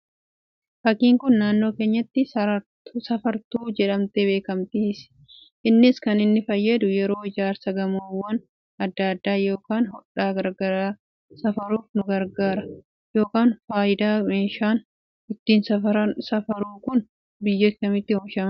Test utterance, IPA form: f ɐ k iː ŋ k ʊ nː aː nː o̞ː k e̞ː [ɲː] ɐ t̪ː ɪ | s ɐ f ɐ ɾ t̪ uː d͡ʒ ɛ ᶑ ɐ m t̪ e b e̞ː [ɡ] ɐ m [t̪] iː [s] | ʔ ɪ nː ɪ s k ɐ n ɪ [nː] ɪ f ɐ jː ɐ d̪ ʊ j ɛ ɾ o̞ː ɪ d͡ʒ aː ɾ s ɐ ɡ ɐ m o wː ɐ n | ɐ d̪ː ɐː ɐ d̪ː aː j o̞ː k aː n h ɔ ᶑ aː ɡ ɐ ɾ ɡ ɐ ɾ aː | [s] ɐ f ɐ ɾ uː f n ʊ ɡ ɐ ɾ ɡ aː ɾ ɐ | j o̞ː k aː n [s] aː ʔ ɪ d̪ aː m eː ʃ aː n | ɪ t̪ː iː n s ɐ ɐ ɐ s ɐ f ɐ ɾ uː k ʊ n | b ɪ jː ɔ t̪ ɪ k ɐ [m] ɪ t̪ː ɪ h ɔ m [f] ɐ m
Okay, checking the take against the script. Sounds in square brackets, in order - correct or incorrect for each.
correct, incorrect: k, correct, correct, correct, correct, incorrect: f, correct, incorrect: ʃ

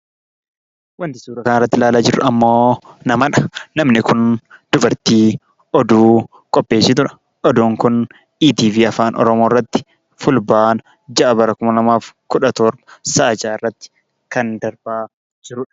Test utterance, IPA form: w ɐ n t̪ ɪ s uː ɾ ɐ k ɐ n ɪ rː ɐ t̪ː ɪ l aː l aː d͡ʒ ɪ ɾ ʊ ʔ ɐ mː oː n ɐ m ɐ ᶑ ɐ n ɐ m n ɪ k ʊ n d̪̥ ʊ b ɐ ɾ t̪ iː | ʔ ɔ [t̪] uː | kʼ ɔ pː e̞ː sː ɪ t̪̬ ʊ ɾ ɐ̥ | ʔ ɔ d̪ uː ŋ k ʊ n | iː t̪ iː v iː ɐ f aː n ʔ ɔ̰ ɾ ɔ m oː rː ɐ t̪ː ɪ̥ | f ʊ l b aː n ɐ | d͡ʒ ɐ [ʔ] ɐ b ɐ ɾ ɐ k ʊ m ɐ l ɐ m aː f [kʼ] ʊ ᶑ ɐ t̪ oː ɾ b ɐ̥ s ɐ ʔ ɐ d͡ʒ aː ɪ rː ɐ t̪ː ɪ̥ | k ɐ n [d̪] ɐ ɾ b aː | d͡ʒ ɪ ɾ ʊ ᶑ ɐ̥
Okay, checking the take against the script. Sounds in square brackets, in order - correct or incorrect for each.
incorrect: d̪, correct, incorrect: k, correct

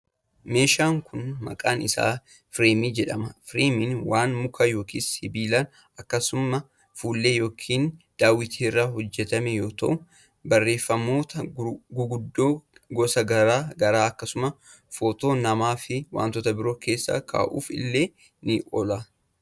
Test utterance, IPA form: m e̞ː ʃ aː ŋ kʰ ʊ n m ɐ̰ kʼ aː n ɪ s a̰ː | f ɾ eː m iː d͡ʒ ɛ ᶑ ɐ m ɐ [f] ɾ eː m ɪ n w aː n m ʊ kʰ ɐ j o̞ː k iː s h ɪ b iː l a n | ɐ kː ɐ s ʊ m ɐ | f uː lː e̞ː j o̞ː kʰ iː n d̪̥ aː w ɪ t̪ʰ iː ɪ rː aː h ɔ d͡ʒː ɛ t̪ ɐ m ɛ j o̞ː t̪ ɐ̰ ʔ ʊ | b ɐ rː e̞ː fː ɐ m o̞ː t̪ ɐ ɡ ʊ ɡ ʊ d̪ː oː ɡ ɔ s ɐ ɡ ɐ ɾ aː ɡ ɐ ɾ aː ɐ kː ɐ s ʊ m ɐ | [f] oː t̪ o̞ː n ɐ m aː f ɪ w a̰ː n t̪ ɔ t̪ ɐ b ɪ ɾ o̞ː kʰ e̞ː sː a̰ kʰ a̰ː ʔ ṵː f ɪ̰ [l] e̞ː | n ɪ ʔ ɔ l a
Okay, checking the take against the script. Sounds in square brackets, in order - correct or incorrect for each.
correct, correct, incorrect: lː

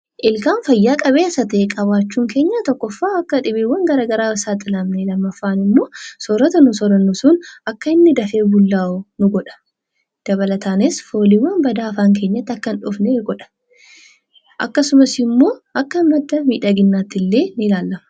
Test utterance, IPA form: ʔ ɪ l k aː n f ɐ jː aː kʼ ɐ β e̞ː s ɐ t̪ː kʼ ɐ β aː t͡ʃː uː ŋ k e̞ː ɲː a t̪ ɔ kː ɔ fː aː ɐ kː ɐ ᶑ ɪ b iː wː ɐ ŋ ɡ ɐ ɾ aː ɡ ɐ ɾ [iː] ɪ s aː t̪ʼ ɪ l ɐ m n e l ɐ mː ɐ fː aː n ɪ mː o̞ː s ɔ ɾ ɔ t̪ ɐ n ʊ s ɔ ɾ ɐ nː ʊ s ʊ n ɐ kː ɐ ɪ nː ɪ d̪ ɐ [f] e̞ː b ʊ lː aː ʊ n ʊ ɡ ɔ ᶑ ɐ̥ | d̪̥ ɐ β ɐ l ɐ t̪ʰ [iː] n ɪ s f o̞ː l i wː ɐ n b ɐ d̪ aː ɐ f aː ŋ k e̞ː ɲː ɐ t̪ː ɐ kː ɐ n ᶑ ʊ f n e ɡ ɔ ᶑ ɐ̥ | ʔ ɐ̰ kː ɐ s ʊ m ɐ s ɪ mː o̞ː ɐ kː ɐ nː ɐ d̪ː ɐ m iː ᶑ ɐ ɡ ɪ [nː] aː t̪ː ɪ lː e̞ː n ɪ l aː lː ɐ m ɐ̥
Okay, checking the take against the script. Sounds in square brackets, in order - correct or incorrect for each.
incorrect: aː, correct, incorrect: aː, correct

